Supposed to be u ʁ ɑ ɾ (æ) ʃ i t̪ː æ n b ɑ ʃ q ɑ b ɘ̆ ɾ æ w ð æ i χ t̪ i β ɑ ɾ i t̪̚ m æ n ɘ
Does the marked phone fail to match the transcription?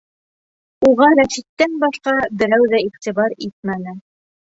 no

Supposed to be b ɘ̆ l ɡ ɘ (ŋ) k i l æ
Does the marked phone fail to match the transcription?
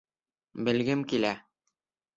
yes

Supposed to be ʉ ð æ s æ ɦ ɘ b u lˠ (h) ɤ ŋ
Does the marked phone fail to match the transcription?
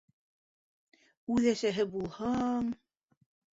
no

